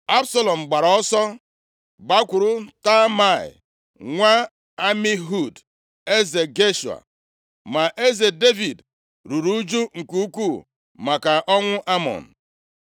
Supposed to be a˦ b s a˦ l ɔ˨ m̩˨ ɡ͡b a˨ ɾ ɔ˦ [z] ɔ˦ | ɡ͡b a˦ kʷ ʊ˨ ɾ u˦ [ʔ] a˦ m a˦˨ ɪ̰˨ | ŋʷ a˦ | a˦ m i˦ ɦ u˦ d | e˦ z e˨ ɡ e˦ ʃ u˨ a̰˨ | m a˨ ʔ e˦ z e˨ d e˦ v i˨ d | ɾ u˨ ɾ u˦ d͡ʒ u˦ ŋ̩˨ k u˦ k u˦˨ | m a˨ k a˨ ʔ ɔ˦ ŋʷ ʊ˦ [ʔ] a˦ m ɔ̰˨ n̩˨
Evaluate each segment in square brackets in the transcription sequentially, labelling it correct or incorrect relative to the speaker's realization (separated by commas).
incorrect, incorrect, correct